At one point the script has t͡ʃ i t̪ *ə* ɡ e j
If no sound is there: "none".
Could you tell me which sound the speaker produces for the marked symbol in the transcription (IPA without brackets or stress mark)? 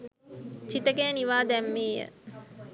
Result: ə